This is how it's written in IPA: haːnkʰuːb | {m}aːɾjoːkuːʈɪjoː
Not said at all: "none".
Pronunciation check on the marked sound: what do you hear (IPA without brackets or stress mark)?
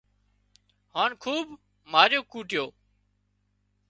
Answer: m